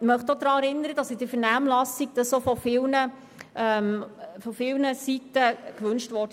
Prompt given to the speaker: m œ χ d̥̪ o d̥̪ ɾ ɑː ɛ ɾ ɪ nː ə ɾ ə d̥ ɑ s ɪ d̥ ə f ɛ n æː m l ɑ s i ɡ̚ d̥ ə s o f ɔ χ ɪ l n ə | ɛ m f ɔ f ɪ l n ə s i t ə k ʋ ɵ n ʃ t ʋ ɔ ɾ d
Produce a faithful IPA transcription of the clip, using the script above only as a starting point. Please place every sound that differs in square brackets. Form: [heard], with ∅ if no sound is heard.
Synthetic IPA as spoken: m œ χ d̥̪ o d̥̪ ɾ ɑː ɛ ɾ ɪ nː ə ɾ ə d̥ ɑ s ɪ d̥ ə f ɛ n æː m l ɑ s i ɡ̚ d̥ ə s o f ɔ [f] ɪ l n ə | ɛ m f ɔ f ɪ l n ə s i t ə k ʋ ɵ n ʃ t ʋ ɔ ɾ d